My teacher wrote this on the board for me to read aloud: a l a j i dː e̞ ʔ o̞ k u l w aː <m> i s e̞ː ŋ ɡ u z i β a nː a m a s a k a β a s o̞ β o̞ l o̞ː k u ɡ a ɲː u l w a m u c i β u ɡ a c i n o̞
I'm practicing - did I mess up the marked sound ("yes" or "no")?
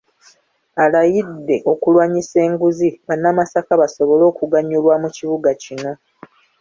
yes